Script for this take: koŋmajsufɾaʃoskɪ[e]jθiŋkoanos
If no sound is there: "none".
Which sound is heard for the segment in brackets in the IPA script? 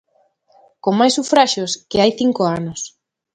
a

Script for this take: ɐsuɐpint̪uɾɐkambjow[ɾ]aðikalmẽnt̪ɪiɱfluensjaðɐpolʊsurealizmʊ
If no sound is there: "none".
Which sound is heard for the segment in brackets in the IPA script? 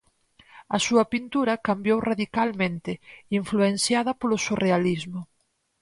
r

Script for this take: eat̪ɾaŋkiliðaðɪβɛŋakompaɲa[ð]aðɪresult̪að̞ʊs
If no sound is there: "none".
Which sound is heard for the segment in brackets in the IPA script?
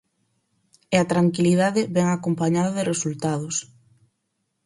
ð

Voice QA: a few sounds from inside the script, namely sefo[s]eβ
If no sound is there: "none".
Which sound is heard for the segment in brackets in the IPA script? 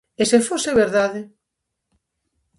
s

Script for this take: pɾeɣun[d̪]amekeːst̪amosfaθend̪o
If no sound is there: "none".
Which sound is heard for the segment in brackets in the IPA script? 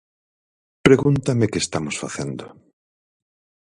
t̪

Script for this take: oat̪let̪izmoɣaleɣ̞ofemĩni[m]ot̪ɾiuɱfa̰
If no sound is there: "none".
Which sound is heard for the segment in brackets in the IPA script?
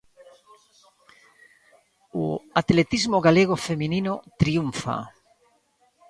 n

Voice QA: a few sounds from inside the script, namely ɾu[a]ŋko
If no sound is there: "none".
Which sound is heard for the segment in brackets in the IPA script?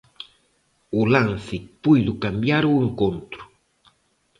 e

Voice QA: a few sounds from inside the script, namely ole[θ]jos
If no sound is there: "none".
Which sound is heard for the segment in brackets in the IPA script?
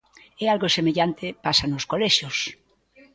ʃ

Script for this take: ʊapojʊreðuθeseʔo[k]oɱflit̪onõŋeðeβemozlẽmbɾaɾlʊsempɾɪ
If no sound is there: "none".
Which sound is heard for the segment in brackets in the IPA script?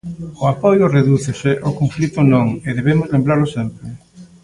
k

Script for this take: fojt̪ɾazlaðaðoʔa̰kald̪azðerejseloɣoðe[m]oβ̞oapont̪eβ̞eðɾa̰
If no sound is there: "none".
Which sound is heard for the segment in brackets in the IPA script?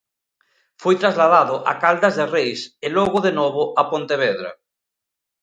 n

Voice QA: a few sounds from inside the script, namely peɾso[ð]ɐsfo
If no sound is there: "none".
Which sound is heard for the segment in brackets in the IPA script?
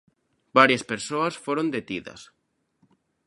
none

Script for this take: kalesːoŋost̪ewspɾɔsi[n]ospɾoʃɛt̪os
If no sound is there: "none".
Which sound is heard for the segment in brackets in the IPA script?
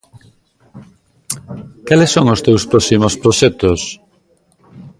m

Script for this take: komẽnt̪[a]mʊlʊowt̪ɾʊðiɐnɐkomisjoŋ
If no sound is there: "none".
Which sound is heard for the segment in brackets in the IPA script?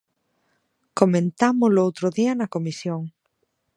a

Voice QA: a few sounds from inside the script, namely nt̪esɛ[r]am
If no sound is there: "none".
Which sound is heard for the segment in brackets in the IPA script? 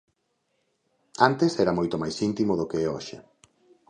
ɾ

